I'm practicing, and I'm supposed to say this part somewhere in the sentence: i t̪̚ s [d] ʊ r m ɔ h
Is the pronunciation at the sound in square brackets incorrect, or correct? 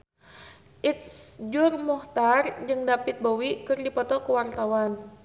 incorrect